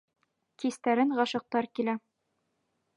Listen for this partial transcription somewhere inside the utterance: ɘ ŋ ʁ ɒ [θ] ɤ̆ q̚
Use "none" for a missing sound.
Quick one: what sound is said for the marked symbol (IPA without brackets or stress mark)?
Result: ʃ